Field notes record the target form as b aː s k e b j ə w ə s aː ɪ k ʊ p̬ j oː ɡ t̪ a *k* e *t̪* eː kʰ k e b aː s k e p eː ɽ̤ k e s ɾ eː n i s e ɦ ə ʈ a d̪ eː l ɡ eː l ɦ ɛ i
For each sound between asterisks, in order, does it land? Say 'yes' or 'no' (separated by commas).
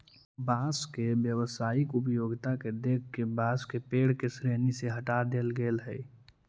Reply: yes, no